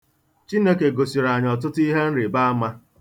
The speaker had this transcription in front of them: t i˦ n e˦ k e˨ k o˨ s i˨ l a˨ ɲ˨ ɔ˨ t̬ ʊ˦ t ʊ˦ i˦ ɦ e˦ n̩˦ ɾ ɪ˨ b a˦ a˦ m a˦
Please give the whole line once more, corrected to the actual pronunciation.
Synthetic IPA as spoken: t͡ʃ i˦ n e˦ k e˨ ɡ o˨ s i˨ ɾ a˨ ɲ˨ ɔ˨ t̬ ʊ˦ t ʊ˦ i˦ ɦ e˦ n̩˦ ɾ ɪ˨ b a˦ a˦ m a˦